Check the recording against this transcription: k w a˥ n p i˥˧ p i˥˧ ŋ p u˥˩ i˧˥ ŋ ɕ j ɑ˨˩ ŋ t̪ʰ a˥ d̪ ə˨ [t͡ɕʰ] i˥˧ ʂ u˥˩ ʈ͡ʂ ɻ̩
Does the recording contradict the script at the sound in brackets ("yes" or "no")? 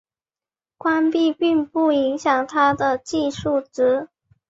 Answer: yes